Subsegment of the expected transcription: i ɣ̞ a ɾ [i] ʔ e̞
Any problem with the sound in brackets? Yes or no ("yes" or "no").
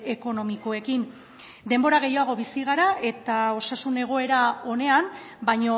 yes